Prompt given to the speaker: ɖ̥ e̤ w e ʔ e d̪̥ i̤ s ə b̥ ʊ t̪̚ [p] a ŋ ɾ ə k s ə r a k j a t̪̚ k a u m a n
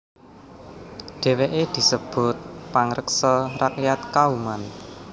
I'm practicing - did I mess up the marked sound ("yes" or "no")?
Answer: no